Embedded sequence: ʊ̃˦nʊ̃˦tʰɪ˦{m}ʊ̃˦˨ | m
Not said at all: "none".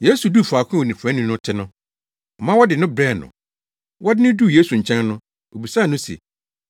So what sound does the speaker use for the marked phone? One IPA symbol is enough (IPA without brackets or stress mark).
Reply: n